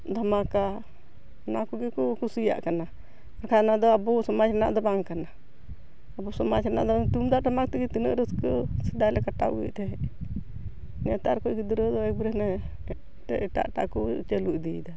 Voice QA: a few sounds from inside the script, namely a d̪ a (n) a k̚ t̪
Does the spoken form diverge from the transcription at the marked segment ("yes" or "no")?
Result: yes